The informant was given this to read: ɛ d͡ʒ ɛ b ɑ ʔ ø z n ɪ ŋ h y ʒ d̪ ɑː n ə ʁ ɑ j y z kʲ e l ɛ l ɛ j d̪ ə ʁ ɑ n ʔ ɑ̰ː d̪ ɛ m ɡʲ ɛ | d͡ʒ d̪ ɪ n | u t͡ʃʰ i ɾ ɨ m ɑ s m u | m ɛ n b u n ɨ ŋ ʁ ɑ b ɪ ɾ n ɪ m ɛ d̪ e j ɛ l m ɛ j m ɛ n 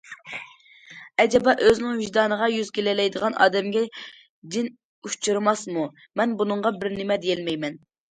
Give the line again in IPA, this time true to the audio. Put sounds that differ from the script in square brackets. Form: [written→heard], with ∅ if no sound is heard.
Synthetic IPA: ɛ d͡ʒ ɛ b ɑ ʔ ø z n ɪ ŋ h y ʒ d̪ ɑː n ə ʁ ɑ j y z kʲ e l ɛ l ɛ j d̪ ə ʁ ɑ n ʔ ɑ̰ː d̪ ɛ m ɡʲ ɛ | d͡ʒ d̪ ɪ n | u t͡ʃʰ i ɾ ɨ m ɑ s m u | m ɛ n b u n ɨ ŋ ʁ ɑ b ɪ ɾ n ɪ m ɛ d̪ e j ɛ l m ɛ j m ɛ n

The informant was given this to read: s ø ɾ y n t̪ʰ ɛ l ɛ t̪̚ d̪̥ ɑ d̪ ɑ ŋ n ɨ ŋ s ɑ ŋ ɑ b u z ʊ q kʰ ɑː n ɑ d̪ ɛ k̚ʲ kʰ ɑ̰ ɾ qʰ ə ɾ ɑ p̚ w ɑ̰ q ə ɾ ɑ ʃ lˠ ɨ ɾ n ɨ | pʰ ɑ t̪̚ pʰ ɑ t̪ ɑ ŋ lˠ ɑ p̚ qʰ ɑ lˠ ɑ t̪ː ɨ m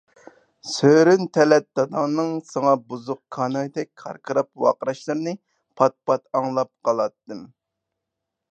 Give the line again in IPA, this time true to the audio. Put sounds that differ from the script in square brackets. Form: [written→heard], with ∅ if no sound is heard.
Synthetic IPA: s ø ɾ y n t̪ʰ ɛ l ɛ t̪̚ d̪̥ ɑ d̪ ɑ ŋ n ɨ ŋ s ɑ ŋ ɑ b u z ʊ q kʰ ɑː n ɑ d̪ ɛ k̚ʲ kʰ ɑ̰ ɾ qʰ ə ɾ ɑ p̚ w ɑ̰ q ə ɾ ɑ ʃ lˠ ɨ ɾ n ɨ | pʰ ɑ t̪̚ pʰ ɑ t̪ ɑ ŋ lˠ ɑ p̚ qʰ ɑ lˠ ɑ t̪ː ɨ m

